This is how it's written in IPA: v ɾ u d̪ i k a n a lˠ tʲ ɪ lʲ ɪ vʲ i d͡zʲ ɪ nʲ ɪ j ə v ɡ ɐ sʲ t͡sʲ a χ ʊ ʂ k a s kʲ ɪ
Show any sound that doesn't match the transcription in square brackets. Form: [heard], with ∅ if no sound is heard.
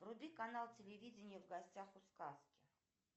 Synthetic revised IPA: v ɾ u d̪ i k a n a lˠ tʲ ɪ lʲ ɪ vʲ i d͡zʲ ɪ nʲ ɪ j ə v ɡ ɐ sʲ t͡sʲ a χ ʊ [s] k a s kʲ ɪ